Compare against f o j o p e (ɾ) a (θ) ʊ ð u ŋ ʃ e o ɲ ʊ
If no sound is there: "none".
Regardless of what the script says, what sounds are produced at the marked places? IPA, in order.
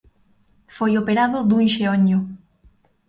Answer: ɾ, ð

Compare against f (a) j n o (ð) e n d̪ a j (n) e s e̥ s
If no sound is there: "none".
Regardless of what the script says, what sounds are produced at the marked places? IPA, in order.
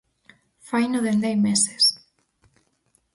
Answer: a, ð, m

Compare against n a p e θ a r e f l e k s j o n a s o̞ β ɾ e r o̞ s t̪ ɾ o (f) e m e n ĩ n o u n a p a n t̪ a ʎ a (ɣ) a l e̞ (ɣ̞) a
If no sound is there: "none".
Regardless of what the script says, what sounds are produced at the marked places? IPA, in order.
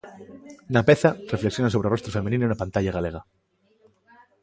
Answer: f, ɣ, ɣ̞

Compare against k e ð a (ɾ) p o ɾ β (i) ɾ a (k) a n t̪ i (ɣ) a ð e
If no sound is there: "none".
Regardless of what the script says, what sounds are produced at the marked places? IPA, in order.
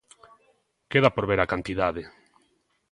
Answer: none, e, k, ð

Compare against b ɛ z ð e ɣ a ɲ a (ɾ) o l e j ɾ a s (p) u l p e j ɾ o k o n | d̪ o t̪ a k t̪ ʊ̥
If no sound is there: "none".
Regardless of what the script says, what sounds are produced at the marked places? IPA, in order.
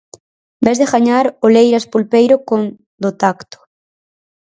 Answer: ɾ, p

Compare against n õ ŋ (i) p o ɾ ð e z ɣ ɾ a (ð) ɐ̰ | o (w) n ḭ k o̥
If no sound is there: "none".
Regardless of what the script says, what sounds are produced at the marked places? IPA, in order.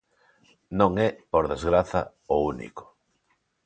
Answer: ɛ, θ, u

